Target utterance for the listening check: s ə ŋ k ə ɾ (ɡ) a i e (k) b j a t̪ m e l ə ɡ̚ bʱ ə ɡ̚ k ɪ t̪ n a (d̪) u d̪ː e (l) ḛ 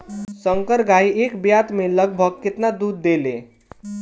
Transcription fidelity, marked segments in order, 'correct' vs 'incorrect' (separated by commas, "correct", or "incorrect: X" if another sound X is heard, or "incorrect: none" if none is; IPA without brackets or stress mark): correct, correct, correct, correct